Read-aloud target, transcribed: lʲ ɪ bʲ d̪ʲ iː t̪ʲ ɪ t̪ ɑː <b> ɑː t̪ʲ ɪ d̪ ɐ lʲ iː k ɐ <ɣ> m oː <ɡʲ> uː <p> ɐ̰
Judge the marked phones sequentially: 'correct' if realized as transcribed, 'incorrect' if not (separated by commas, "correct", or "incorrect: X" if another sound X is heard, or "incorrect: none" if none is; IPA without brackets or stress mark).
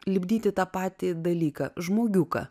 incorrect: p, incorrect: ʒ, correct, incorrect: k